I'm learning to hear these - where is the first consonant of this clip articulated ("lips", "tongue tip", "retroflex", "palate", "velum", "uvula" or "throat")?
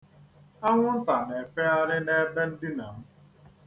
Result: velum